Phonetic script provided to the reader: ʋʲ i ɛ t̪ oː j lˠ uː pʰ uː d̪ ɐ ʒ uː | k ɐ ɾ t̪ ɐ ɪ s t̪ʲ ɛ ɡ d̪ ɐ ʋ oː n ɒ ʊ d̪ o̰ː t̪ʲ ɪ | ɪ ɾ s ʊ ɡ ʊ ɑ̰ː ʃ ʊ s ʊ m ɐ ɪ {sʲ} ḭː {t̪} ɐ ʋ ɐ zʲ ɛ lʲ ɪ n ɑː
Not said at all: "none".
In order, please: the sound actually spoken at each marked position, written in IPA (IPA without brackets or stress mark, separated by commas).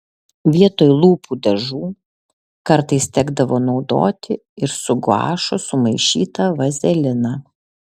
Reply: ʃʲ, t̪